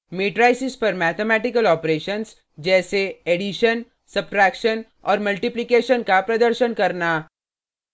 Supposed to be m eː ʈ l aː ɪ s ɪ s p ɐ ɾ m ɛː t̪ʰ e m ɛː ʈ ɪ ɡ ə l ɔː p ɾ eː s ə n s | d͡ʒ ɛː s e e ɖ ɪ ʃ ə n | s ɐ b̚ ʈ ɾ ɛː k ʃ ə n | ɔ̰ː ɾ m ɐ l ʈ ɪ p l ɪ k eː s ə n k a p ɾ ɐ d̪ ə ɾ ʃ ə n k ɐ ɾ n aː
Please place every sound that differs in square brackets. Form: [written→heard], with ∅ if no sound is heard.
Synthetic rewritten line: m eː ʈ [l→ɾ] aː ɪ s ɪ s p ɐ ɾ m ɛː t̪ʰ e m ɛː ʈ ɪ [ɡ→k] ə l ɔː p ɾ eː [s→ʃ] ə n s | d͡ʒ ɛː s e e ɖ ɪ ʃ ə n | s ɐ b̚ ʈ ɾ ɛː k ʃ ə n | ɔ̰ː ɾ m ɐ l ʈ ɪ p l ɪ k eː [s→ʃ] ə n k a p ɾ ɐ d̪ ə ɾ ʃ ə n k ɐ ɾ n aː